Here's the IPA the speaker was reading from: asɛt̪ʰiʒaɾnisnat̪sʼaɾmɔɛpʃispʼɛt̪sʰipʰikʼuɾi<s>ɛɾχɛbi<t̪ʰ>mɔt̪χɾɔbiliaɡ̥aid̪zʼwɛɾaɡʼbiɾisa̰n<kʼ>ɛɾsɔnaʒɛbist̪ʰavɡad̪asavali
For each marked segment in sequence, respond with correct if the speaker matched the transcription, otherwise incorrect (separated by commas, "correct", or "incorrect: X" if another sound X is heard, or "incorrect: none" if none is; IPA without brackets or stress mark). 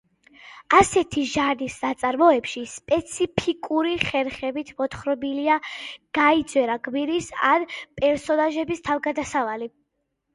incorrect: χ, correct, incorrect: pʼ